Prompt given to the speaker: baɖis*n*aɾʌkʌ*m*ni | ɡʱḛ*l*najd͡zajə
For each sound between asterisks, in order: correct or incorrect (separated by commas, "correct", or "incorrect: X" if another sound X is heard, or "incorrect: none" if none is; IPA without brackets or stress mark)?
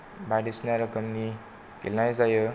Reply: correct, correct, correct